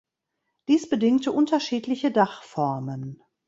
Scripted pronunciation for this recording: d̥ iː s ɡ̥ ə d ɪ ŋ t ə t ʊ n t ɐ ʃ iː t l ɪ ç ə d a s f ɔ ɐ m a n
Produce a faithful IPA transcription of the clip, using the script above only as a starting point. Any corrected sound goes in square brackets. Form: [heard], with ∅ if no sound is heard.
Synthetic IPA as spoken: d̥ iː s [b̥] ə d ɪ ŋ t ə [ʔ] ʊ n t ɐ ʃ iː t l ɪ ç ə d a [χ] f ɔ ɐ m [ə] n